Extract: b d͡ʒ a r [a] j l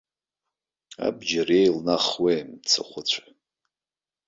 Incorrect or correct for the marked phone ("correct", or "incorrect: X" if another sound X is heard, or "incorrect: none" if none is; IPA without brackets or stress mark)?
incorrect: e